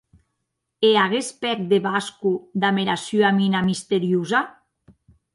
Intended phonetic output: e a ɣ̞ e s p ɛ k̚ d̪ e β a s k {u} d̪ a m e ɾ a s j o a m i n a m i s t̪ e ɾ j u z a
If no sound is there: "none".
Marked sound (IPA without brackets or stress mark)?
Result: u